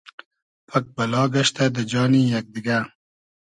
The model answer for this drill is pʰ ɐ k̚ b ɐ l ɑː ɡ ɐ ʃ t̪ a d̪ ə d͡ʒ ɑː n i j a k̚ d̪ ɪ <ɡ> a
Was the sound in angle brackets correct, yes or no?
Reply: yes